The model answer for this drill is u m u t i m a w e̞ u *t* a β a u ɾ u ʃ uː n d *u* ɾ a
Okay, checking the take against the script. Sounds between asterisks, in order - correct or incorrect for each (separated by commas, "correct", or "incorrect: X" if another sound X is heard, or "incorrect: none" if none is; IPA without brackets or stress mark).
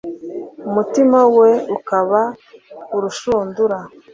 incorrect: k, correct